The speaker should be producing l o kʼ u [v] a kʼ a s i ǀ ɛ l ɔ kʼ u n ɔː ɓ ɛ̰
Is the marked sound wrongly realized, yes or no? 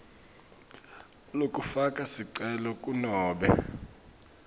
yes